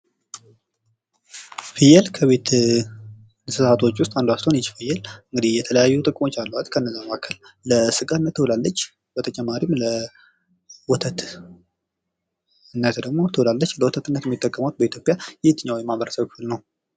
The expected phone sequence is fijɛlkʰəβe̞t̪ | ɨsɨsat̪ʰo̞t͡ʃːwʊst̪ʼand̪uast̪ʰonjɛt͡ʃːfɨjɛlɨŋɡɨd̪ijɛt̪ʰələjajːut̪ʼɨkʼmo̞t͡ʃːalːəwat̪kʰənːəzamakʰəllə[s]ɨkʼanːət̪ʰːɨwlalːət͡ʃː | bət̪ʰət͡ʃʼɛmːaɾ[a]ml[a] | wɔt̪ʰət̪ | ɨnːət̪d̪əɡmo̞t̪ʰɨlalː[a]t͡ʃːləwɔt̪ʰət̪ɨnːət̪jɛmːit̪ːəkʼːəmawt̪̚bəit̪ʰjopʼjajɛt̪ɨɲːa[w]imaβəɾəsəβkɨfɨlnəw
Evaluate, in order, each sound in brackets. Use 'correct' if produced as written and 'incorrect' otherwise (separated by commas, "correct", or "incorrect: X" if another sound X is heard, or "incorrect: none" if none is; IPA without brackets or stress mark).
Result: correct, incorrect: i, incorrect: ə, incorrect: ə, correct